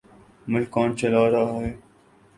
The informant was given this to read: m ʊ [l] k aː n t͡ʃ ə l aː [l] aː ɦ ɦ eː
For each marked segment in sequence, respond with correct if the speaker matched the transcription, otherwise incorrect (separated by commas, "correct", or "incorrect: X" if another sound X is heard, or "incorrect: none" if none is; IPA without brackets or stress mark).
correct, incorrect: ɾ